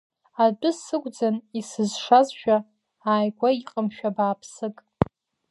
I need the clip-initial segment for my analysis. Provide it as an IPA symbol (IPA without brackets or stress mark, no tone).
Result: a